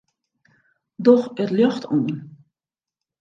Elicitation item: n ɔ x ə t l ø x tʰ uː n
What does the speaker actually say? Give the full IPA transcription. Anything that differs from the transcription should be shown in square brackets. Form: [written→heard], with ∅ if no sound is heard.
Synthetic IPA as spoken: [n→d] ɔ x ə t l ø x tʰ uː n